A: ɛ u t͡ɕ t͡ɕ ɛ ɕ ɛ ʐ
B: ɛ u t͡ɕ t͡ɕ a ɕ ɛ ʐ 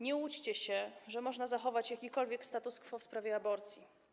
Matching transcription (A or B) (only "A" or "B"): A